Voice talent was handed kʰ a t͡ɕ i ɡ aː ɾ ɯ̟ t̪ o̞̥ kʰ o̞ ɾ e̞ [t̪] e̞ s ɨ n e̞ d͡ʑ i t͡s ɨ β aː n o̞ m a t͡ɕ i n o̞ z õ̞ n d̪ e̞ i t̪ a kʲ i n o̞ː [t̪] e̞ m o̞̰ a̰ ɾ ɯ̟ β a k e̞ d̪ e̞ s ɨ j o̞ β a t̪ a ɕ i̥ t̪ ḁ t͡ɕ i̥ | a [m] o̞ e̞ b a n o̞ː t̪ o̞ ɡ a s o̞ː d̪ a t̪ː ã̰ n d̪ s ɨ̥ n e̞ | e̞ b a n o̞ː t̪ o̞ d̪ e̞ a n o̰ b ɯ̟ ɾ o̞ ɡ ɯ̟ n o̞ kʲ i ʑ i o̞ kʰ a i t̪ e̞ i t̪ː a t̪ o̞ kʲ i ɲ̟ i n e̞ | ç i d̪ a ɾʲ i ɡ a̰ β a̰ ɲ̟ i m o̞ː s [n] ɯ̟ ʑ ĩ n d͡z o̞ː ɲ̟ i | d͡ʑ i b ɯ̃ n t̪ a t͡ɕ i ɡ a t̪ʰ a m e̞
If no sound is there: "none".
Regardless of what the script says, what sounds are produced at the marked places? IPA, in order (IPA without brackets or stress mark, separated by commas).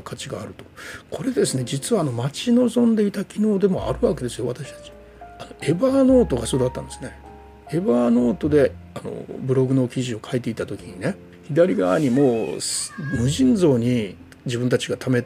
d̪, d̪, n, m